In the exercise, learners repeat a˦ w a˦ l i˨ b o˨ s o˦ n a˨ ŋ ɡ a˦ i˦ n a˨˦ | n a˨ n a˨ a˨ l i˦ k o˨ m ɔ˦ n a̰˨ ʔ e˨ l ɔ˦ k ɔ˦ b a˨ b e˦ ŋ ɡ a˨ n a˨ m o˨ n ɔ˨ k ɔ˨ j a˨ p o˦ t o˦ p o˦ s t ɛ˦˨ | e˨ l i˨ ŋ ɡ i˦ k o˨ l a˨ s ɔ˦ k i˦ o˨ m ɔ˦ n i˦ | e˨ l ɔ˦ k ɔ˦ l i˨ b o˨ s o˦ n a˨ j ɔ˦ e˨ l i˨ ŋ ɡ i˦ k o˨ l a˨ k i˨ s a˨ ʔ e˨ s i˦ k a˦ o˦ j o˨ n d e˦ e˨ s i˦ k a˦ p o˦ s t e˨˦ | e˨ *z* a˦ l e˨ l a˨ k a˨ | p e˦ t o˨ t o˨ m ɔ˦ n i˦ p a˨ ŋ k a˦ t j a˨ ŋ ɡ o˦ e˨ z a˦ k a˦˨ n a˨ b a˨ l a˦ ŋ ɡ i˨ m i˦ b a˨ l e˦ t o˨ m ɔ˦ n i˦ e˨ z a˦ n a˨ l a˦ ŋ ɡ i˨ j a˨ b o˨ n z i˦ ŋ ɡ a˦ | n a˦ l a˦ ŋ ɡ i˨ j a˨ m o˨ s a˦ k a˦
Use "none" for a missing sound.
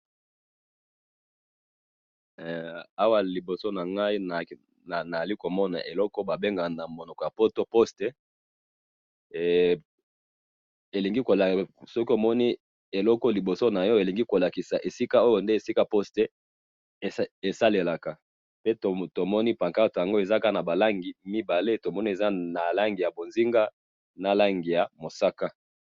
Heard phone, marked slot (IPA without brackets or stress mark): s